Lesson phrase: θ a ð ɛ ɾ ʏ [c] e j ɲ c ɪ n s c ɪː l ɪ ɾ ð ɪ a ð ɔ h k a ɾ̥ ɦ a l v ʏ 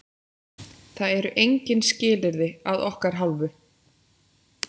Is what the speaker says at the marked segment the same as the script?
no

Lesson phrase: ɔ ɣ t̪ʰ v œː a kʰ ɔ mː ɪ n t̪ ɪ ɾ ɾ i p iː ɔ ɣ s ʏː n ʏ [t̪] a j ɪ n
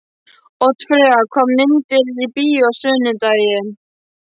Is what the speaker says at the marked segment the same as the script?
yes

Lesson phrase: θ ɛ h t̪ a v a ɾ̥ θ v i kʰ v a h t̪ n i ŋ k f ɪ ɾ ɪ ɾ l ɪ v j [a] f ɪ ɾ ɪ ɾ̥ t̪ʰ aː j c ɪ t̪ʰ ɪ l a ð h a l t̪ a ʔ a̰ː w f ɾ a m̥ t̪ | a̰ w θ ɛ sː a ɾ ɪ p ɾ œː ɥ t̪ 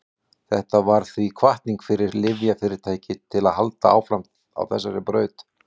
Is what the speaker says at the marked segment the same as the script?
yes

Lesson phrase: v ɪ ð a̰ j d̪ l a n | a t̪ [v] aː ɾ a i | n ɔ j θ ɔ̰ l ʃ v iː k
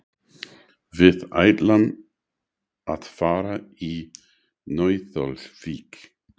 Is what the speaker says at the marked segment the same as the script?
no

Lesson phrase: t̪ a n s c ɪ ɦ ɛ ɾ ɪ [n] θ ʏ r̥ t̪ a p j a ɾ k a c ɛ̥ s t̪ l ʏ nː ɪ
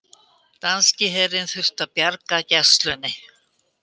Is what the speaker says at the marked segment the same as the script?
yes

